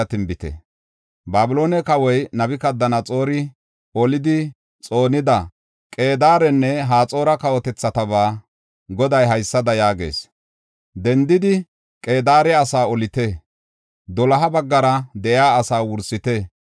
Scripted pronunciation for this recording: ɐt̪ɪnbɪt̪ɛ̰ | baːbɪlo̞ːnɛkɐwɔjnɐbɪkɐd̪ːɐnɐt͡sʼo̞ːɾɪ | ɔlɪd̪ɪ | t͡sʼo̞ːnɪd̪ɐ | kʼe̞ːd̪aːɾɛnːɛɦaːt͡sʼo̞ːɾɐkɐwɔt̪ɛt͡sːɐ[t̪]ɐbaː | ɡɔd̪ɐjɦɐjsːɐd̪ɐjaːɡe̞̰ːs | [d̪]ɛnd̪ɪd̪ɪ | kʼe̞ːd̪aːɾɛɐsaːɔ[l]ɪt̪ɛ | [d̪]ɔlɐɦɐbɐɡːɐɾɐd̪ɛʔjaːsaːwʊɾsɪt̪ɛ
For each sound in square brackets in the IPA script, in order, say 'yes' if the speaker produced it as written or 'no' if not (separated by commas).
yes, yes, yes, yes